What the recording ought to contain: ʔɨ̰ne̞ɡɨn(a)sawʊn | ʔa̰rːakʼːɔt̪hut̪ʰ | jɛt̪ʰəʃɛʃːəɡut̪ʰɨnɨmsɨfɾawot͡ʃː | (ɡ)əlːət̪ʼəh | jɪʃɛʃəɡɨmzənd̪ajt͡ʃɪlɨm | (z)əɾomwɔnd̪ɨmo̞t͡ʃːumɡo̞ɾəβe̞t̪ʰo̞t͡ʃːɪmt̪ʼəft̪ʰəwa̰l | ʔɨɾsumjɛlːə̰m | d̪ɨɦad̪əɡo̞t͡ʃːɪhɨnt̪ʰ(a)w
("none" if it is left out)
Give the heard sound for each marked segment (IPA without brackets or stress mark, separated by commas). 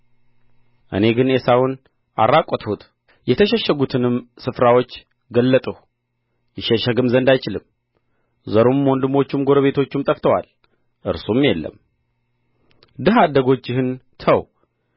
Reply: e, ɡ, z, ə